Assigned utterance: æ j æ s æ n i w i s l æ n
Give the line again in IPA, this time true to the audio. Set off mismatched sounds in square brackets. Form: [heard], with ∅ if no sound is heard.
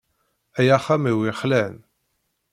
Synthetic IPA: æ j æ [χ] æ [m] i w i [χ] l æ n